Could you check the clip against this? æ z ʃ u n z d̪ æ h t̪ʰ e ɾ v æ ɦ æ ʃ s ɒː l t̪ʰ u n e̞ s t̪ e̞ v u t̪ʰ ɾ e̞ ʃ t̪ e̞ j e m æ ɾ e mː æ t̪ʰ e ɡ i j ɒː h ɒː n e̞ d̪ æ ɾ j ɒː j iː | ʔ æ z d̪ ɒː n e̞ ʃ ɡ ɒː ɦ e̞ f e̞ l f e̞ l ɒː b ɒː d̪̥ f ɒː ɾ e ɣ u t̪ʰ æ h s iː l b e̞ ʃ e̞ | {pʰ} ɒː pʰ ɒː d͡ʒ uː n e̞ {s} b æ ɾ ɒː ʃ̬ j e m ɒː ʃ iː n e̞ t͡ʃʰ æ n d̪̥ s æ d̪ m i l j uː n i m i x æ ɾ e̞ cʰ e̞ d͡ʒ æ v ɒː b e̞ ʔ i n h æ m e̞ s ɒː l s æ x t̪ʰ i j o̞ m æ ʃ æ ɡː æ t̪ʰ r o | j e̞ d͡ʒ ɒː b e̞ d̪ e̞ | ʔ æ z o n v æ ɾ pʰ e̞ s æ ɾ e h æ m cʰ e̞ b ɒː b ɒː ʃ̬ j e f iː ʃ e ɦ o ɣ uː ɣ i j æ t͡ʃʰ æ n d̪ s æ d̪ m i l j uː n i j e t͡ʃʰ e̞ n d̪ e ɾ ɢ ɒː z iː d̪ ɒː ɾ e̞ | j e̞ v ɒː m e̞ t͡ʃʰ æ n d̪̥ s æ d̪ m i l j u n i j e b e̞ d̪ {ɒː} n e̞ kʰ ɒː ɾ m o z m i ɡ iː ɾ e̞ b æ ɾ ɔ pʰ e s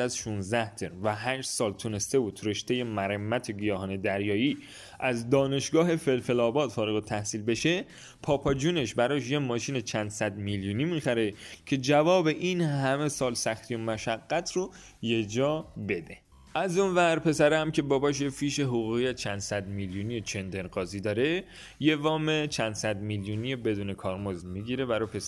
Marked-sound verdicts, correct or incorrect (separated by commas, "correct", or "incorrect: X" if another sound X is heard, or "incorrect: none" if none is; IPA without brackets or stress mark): correct, incorrect: ʃ, incorrect: uː